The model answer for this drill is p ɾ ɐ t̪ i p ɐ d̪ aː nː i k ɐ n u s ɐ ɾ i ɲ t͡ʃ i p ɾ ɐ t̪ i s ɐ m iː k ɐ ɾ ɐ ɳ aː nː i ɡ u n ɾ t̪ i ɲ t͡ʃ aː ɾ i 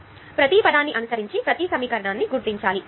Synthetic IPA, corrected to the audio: p ɾ ɐ t̪ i p ɐ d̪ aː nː i ʔ ɐ n u s ɐ ɾ i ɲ t͡ʃ i p ɾ ɐ t̪ i s ɐ m iː k ɐ ɾ ɐ ɳ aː nː i ɡ u ɾ t̪ i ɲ t͡ʃ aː l i

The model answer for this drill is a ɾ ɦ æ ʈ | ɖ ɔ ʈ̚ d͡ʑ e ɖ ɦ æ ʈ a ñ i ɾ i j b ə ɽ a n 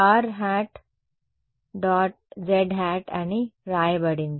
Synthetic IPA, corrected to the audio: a ɾ ɦ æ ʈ | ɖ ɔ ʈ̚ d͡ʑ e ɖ ɦ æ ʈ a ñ i ɾ a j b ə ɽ i n

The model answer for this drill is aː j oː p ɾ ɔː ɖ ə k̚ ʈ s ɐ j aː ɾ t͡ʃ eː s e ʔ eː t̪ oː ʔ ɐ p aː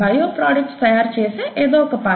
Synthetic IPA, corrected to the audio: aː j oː p ɾ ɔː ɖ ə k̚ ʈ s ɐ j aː ɾ t͡ʃ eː s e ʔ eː d̪ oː k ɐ p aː

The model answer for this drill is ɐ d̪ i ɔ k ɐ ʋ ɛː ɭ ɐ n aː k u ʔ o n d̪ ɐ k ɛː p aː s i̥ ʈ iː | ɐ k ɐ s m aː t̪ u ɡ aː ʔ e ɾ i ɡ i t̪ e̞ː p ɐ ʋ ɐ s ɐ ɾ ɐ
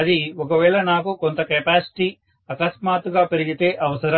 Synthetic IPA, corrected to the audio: ɐ d̪ i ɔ k ɐ ʋ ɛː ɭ ɐ n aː k u k o n t̪ ɐ k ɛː p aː s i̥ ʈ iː | ɐ k ɐ s m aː t̪ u ɡ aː p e ɾ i ɡ i t̪ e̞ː ʔ ɐ ʋ ɐ s ɐ ɾ ɐ

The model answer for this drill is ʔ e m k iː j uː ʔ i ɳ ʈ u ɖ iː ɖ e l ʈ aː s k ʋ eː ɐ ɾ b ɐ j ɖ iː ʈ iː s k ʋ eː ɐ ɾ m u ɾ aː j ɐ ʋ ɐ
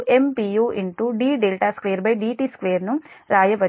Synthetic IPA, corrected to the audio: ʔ e m p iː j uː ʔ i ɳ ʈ u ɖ iː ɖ e l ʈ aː s k ʋ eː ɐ ɾ b ɐ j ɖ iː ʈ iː s k ʋ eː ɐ ɾ n u ɾ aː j ɐ ʋ ɐ

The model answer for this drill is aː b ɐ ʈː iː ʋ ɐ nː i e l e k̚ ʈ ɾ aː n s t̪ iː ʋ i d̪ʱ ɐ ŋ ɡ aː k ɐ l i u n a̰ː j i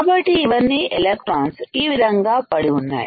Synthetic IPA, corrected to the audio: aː b ɐ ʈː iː ʋ ɐ nː i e l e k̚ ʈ ɾ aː n s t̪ iː ʋ i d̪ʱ ɐ ŋ ɡ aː p ɐ ɽ i u nː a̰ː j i

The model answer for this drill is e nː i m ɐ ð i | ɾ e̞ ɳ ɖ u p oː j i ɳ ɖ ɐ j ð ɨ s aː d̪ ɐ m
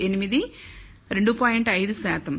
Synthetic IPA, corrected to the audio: e n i m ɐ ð i | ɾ e̞ ɳ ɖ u p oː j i ɳ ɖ ɐ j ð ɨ s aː t̪ ɐ m

